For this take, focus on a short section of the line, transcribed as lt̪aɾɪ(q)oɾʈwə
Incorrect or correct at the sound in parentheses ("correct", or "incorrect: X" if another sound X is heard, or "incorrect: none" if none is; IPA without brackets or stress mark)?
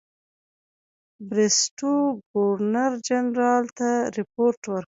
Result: incorrect: p